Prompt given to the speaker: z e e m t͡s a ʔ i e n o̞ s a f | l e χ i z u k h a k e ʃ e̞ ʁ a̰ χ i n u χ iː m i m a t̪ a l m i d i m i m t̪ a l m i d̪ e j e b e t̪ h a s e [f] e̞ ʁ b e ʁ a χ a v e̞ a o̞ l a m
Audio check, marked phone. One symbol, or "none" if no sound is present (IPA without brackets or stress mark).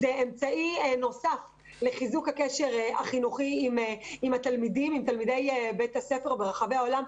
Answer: f